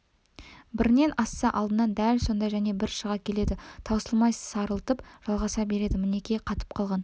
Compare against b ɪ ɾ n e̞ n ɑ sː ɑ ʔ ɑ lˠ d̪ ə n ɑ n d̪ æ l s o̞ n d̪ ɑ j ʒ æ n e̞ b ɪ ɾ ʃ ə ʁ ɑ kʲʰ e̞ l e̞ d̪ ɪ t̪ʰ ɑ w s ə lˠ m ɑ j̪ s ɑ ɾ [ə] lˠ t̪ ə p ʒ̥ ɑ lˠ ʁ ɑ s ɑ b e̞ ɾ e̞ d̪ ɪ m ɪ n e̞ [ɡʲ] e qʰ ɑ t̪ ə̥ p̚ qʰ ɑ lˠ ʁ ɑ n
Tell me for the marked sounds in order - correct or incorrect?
correct, incorrect

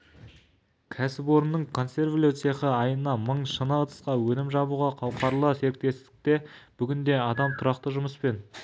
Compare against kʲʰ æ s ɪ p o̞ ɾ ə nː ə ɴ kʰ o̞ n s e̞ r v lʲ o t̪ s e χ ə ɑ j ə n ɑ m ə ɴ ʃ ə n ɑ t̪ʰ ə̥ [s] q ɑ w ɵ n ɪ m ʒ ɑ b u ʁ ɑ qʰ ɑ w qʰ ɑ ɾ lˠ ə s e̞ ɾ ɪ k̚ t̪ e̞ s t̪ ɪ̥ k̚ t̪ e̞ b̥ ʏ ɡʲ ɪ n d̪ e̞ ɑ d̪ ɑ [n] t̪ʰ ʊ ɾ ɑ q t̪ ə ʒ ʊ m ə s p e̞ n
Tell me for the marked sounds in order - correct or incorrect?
correct, incorrect

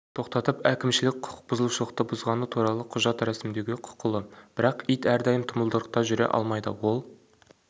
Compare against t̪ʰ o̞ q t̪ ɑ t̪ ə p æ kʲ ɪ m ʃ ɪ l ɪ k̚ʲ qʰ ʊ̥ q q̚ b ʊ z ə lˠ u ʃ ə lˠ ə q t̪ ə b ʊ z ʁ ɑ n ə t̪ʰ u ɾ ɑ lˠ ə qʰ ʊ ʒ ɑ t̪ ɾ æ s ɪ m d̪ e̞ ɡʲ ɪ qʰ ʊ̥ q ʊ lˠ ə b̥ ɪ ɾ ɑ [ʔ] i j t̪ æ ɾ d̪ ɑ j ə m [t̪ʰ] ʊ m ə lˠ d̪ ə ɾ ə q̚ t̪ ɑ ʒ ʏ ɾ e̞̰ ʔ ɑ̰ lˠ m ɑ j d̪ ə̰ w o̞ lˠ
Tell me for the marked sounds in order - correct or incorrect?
incorrect, correct

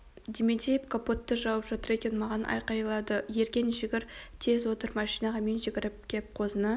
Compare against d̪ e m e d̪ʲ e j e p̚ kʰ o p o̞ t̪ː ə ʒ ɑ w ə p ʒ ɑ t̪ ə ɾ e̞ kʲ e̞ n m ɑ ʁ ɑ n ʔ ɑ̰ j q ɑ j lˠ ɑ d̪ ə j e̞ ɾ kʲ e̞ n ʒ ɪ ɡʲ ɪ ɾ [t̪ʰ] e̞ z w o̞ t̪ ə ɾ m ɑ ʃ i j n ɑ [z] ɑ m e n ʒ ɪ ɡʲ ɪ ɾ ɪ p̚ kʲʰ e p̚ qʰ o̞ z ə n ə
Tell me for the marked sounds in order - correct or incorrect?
correct, incorrect

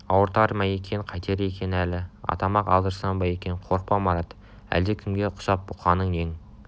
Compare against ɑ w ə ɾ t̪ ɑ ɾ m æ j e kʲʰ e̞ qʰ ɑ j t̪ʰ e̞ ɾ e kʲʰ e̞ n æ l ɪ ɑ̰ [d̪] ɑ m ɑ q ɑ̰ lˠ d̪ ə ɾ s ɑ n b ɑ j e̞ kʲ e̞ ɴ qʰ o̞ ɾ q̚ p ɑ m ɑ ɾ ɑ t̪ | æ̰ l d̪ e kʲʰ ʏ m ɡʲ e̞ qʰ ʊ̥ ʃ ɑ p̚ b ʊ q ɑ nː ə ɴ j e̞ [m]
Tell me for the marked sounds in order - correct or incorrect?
incorrect, incorrect

